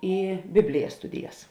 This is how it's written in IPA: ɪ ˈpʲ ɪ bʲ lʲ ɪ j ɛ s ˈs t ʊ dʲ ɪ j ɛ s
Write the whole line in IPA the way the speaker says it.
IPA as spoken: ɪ ˈbʲ ɪ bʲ lʲ ɪ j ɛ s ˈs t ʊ dʲ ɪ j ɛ s